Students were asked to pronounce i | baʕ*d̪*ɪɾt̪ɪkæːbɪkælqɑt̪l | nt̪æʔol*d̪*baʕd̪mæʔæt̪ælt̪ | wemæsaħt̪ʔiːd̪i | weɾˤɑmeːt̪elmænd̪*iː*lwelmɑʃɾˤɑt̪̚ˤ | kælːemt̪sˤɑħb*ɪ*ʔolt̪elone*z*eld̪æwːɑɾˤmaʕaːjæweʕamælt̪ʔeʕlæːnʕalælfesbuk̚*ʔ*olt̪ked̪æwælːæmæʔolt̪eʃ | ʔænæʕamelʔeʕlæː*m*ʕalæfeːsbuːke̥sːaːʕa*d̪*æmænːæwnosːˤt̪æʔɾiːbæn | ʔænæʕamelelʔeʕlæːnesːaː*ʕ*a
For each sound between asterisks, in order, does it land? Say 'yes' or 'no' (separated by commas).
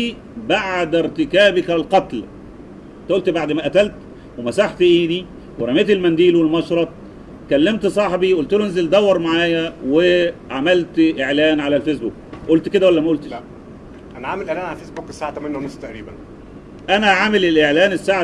yes, no, yes, no, yes, yes, no, no, yes